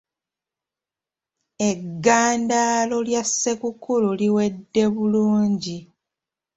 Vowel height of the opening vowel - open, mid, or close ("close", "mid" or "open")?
mid